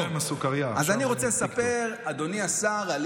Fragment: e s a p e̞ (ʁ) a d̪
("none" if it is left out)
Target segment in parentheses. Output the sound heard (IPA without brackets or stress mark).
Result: ʁ